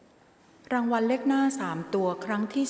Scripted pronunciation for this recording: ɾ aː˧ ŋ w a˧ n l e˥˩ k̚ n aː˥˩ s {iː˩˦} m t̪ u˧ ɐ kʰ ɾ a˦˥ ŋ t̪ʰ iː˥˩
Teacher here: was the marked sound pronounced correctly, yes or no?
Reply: no